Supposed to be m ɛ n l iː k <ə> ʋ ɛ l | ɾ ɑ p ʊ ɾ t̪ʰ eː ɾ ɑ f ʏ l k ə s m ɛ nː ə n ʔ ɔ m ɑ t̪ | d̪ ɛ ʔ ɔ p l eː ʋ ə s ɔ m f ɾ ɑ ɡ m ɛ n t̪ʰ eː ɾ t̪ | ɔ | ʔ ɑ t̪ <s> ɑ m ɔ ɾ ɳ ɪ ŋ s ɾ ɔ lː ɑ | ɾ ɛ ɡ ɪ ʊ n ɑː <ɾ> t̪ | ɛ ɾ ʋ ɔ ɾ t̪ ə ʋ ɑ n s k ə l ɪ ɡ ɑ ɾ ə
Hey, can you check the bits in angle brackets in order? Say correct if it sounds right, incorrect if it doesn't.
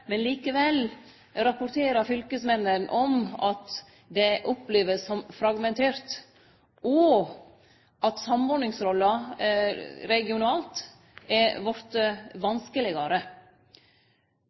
correct, correct, incorrect: l

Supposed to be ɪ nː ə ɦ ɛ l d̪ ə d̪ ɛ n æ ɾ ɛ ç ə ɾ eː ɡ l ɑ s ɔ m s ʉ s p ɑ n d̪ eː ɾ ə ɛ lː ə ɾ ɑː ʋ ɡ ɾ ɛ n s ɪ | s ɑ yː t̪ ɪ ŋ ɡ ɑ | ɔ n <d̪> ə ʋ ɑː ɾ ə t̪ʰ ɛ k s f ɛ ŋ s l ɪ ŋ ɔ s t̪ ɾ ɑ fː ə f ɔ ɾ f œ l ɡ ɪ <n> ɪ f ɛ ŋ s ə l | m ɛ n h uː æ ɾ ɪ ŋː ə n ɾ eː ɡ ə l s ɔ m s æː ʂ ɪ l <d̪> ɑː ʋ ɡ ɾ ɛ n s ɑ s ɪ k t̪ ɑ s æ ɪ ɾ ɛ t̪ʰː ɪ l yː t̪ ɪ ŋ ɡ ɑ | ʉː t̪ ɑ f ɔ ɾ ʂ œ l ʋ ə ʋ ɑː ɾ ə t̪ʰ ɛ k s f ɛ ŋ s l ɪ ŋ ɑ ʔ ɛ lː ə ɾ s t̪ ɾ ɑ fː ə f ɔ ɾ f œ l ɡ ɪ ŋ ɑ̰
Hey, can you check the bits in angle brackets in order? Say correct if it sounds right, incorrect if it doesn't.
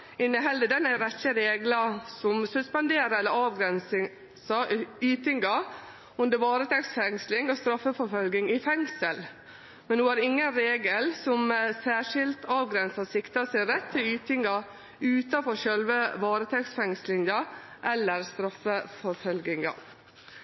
correct, incorrect: ŋ, incorrect: t̪

